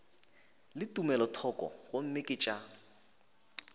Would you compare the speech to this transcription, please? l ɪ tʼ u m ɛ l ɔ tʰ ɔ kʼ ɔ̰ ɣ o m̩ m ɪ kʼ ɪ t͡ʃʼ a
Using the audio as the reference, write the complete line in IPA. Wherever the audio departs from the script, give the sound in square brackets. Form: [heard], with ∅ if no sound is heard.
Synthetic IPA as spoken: l ɪ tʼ u m ɛ l ɔ tʰ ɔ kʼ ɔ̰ ɣ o m̩ m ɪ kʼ ɪ t͡ʃʼ a